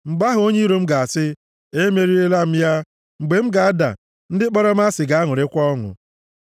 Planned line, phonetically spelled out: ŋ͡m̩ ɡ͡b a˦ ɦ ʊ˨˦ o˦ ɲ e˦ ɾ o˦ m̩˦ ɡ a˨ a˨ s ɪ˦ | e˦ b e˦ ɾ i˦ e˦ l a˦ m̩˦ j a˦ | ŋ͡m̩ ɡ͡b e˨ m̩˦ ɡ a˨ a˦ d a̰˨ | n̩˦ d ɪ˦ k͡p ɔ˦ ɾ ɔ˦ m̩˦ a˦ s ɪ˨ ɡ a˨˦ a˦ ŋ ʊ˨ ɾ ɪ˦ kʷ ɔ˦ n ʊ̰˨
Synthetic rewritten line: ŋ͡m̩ ɡ͡b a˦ ɦ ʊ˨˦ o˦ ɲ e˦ ɾ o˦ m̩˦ ɡ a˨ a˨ s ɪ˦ | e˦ m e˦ ɾ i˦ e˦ l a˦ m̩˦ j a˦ | ŋ͡m̩ ɡ͡b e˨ m̩˦ ɡ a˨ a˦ d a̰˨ | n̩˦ d ɪ˦ k͡p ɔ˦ ɾ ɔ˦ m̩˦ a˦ s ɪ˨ ɡ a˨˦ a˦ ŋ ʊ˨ ɾ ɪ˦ kʷ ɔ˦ ŋ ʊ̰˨